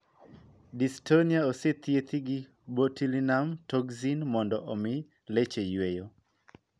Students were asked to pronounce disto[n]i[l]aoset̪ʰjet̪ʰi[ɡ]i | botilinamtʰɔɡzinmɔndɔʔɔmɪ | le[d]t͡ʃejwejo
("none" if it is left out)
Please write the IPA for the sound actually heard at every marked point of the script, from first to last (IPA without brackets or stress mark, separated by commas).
n, none, ɡ, none